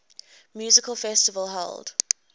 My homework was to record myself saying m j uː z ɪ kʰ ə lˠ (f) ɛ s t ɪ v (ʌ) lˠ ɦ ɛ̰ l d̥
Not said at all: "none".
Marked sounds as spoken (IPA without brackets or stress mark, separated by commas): f, ə